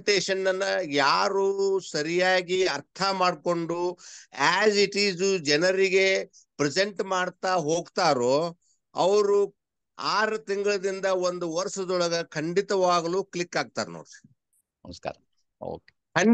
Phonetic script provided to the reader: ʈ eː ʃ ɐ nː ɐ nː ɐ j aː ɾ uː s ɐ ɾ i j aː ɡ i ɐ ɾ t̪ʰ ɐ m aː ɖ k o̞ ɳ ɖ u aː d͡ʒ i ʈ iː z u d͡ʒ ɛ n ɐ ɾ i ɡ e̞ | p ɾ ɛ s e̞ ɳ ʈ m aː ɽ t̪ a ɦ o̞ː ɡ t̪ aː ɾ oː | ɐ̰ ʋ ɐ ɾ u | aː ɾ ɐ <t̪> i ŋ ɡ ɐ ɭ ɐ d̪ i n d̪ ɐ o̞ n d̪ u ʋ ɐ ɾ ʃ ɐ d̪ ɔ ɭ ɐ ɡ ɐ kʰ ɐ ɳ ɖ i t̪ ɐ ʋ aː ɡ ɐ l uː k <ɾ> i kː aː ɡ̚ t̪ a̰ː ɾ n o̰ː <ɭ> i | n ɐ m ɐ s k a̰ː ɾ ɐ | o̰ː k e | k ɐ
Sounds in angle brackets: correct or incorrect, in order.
correct, incorrect, incorrect

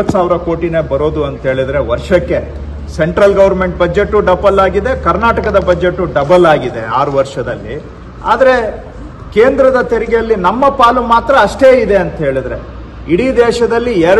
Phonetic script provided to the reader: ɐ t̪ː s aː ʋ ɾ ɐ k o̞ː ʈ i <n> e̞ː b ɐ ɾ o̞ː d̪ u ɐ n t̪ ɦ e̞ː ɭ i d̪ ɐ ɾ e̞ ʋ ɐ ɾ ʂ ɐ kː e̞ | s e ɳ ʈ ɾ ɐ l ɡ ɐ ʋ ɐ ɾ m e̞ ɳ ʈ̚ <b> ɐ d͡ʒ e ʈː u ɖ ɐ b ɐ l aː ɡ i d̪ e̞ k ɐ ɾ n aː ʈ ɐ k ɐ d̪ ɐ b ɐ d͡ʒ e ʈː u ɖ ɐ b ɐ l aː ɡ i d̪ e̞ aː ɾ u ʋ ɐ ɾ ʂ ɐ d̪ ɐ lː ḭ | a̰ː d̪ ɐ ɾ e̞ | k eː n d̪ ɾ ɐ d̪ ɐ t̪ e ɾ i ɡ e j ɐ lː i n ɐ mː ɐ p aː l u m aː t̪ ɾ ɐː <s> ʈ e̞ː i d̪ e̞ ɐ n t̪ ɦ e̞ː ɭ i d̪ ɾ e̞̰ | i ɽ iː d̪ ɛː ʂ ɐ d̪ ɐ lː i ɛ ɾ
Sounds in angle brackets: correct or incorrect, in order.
correct, correct, incorrect

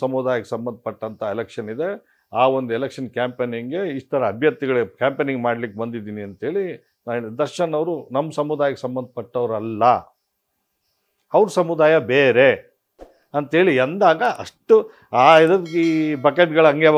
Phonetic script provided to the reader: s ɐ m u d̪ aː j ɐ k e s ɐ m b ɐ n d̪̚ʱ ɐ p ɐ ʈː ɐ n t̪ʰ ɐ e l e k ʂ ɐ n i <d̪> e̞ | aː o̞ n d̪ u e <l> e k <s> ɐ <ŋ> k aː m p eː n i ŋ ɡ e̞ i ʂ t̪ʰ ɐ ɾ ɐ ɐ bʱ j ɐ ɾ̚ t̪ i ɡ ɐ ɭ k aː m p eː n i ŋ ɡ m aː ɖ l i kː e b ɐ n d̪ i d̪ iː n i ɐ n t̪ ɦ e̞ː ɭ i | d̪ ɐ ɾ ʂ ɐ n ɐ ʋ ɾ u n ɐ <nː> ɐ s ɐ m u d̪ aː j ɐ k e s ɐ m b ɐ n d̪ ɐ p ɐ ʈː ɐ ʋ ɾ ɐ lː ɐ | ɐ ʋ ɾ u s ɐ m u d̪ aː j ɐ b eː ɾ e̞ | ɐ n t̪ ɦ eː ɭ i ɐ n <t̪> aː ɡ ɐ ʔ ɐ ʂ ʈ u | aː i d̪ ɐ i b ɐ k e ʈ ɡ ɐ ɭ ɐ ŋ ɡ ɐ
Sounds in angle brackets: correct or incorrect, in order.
correct, correct, incorrect, incorrect, incorrect, incorrect

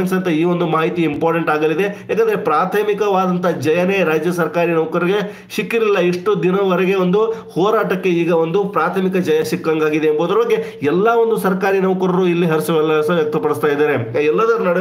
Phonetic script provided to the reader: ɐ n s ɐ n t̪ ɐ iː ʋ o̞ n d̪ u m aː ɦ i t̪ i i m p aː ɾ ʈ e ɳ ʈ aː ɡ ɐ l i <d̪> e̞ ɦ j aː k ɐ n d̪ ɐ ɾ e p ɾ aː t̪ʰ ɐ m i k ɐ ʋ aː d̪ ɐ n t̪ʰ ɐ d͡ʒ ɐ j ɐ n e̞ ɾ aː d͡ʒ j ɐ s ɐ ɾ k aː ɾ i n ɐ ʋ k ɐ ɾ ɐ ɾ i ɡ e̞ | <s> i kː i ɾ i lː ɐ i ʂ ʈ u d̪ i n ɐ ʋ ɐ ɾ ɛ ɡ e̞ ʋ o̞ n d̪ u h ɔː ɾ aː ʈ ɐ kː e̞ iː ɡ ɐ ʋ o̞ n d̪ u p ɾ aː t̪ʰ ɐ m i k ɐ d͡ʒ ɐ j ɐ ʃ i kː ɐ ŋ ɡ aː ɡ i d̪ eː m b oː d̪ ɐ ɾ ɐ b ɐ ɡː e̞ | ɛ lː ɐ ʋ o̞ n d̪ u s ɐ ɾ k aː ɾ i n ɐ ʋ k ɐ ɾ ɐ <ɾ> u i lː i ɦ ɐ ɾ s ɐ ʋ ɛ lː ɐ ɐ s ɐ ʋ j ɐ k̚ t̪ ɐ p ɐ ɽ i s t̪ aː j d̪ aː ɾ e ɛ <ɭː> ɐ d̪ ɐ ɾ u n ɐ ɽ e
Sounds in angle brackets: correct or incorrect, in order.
correct, incorrect, correct, incorrect

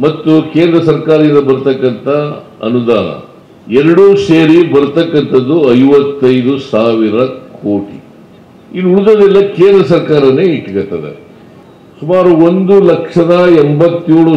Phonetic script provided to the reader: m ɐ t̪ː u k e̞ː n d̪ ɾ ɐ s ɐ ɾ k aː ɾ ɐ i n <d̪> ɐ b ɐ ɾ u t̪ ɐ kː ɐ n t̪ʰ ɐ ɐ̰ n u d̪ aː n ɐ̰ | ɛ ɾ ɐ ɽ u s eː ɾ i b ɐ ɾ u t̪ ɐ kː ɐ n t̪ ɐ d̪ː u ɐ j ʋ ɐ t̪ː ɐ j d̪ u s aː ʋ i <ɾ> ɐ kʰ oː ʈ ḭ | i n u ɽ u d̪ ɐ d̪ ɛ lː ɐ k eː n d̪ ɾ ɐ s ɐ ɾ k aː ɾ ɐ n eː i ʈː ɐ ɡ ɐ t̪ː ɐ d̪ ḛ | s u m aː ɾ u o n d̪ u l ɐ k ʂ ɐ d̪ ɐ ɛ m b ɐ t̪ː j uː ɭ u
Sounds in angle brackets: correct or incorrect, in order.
correct, correct

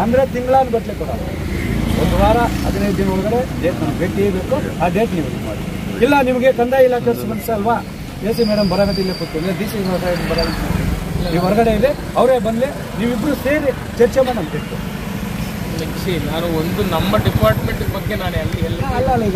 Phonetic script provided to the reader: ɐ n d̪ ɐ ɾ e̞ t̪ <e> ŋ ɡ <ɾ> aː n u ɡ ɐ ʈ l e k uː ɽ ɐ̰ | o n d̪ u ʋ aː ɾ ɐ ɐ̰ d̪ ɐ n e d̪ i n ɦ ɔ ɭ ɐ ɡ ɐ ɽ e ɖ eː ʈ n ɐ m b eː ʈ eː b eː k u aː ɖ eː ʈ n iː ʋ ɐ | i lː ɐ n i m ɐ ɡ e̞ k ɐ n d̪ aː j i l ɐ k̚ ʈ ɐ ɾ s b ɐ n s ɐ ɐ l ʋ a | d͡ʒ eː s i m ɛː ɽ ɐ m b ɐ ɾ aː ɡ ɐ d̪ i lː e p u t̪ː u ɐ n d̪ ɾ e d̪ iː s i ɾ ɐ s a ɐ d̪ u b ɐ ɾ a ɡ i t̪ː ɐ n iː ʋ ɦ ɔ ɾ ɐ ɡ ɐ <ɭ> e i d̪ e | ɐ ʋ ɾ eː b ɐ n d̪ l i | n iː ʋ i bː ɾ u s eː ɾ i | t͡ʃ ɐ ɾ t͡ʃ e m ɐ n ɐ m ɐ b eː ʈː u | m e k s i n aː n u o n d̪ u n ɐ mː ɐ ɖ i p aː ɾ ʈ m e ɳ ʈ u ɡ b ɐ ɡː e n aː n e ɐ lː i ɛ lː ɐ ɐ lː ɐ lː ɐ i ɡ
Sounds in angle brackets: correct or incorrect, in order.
incorrect, incorrect, incorrect

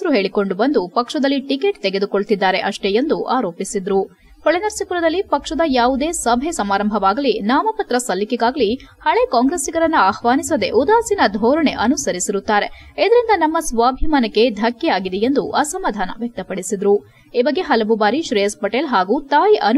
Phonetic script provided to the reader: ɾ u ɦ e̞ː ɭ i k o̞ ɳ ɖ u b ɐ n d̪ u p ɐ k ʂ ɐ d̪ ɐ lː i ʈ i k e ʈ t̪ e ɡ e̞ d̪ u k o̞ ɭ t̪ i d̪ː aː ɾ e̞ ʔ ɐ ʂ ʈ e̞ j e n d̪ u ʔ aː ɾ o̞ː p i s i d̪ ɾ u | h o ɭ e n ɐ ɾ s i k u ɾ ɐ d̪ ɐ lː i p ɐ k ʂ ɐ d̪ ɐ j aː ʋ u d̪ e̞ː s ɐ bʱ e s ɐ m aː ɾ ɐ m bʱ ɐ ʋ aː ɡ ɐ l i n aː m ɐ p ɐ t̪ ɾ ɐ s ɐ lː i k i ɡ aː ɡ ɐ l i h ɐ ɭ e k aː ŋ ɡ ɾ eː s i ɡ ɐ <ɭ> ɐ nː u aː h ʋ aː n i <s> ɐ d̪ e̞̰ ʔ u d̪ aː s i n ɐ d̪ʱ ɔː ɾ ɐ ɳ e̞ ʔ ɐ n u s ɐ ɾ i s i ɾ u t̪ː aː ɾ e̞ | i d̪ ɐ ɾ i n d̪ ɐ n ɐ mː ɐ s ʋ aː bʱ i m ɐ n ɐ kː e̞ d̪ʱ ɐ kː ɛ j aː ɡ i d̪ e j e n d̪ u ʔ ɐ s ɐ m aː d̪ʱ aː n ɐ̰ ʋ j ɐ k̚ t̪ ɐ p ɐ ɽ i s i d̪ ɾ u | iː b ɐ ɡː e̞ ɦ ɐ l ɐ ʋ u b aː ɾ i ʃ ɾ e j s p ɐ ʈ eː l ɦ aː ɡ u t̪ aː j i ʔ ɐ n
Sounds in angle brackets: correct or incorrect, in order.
incorrect, correct

